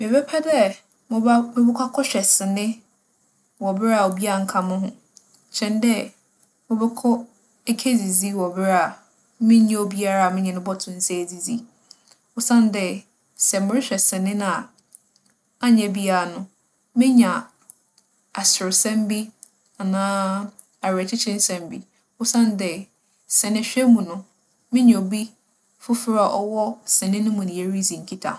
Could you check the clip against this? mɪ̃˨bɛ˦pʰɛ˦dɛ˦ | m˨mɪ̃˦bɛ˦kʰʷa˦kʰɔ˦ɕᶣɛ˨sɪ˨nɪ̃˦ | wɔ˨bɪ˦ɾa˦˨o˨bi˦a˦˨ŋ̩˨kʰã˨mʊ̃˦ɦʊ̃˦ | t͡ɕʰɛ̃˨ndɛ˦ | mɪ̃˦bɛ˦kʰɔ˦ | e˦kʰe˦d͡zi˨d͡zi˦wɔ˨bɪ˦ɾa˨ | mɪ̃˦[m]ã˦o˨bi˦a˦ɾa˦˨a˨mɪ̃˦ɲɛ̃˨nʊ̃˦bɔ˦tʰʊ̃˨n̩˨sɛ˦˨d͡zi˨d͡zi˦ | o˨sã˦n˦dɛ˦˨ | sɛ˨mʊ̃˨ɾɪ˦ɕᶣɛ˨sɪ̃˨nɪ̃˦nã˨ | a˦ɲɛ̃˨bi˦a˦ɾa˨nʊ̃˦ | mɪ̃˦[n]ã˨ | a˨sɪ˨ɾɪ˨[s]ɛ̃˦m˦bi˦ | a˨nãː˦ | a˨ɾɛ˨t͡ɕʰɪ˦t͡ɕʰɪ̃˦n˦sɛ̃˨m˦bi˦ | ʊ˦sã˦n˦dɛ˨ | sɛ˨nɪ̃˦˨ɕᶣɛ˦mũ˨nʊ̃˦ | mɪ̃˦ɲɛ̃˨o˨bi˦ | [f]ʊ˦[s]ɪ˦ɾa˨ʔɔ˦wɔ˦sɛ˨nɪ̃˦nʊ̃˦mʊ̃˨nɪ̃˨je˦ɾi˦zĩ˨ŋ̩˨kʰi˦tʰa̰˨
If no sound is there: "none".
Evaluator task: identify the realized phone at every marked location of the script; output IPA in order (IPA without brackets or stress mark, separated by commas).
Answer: ɲ, ɲ, s, f, f